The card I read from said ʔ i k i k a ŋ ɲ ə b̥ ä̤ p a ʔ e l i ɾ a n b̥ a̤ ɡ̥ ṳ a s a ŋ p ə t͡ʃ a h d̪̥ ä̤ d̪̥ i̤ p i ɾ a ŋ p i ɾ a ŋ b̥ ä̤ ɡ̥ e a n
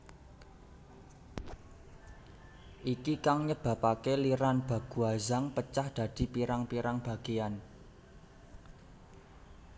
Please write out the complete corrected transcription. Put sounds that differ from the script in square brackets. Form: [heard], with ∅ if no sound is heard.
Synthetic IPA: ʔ i k i k a ŋ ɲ ə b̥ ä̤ p a [k] e l i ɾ a n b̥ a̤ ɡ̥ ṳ a [z] a ŋ p ə t͡ʃ a h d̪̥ ä̤ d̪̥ i̤ p i ɾ a ŋ p i ɾ a ŋ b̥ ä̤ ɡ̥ e a n